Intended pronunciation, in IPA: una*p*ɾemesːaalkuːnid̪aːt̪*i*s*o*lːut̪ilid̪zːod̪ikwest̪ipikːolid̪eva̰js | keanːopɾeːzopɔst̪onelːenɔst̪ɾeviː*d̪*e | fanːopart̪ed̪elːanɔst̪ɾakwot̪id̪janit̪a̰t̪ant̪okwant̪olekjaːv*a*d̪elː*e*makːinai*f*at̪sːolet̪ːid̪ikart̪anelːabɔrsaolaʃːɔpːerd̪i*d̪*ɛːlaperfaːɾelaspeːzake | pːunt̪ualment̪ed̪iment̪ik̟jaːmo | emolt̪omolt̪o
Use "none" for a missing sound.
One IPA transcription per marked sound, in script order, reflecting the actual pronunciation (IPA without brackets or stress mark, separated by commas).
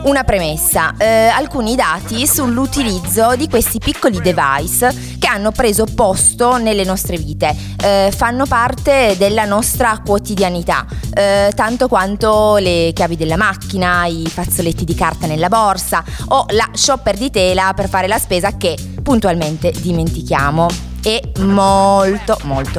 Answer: p, i, u, t̪, i, a, f, t̪